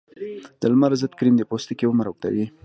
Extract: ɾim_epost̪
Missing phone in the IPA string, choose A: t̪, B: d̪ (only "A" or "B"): B